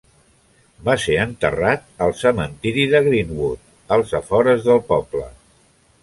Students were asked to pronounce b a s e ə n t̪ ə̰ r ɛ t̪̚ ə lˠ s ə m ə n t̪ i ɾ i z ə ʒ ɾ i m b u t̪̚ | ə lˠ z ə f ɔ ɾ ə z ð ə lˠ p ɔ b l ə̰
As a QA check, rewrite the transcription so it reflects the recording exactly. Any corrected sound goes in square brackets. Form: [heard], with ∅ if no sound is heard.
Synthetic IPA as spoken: b a s e ə n t̪ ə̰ r [a] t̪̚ ə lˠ s ə m ə n t̪ i ɾ i [ð] ə [ɣ] ɾ i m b u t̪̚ | ə lˠ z ə f ɔ ɾ ə z ð ə lˠ p ɔ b l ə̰